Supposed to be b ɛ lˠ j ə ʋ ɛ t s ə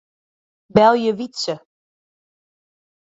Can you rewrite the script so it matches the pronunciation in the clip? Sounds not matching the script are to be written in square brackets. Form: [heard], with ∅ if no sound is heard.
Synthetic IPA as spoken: b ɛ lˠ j ə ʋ [i] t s ə